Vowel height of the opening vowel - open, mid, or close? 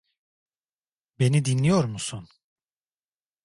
mid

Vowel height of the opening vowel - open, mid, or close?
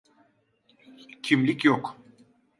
close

